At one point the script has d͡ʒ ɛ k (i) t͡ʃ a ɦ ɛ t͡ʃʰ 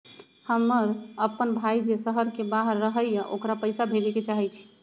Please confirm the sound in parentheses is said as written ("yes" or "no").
no